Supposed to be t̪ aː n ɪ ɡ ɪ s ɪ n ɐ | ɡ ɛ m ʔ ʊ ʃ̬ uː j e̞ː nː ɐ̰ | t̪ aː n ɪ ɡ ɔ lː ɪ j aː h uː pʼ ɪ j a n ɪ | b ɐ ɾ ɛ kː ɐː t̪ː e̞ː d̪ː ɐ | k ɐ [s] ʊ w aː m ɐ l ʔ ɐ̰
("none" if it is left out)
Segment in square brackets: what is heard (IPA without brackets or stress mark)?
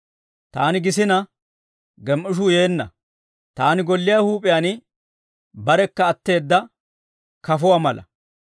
f